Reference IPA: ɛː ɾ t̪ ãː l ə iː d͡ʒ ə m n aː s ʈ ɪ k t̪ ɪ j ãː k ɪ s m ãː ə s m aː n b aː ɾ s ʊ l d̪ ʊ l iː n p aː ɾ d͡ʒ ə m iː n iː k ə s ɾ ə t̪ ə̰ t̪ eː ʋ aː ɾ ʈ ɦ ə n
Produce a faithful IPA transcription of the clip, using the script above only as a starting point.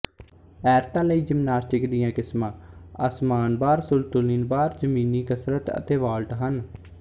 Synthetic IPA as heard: ɛː ɾ t̪ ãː l ə iː d͡ʒ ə m n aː s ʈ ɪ k d̪ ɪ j ãː k ɪ s m ãː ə s m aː n b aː ɾ s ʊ l t̪ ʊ l iː n b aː ɾ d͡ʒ ə m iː n iː k ə s ɾ ə t̪ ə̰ t̪ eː ʋ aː l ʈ ɦ ə n